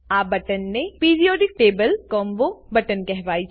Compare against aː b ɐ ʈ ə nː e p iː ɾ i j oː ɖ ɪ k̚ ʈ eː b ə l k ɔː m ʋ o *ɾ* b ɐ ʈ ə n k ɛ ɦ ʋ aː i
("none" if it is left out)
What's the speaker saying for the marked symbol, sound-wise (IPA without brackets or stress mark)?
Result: none